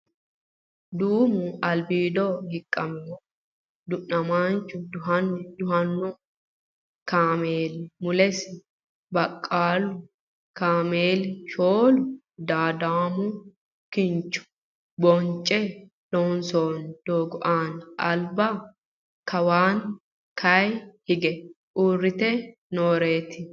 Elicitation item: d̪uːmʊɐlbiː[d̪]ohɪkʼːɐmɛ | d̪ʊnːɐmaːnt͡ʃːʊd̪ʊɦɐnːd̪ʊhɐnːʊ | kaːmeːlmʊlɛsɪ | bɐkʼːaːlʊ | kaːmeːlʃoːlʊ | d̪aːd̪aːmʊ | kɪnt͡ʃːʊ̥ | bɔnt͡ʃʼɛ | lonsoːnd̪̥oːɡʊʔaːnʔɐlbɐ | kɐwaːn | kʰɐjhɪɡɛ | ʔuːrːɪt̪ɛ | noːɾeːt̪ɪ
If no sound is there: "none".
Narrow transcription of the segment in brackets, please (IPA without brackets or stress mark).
d̪